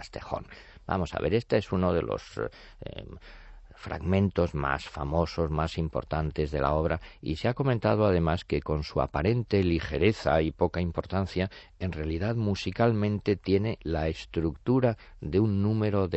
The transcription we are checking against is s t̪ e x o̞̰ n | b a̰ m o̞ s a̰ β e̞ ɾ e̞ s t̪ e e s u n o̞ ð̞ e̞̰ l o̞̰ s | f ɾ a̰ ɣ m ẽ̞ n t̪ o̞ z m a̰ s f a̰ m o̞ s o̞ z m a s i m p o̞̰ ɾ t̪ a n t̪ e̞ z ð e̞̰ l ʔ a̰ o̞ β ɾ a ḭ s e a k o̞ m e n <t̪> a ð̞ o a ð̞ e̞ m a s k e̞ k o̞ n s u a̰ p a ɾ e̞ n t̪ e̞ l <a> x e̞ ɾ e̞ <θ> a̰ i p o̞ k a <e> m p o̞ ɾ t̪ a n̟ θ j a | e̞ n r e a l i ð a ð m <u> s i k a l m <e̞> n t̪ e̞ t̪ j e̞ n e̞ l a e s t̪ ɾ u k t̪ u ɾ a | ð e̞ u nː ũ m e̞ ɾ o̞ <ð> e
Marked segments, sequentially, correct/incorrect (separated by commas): correct, incorrect, correct, incorrect, correct, incorrect, correct